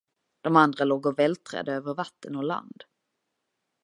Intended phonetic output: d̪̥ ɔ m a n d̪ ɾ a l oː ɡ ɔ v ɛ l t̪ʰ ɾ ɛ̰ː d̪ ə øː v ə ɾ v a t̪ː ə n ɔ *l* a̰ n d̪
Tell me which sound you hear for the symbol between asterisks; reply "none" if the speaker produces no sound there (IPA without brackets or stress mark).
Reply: l